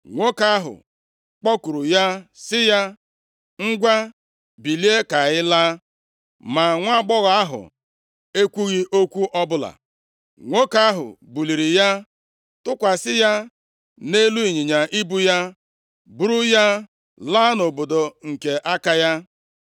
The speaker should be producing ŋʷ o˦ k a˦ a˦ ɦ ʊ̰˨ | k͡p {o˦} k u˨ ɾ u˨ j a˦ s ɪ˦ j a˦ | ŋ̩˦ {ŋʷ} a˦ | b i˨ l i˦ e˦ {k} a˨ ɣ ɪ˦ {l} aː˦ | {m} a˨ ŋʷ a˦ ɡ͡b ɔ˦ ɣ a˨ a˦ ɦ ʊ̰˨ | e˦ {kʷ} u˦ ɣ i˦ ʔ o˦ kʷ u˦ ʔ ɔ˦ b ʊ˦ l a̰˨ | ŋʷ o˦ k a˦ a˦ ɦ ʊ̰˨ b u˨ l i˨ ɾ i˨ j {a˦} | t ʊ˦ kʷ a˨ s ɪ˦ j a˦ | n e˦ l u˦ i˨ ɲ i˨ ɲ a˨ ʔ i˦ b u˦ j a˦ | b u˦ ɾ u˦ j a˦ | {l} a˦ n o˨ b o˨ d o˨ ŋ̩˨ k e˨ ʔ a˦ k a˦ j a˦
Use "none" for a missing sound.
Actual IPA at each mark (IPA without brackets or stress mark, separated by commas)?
ɔ˦, ɡʷ, k, l, m, kʷ, a˦, l